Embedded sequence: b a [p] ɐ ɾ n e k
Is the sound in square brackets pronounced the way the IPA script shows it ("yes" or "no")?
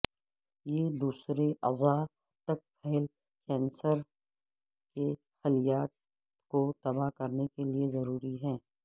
no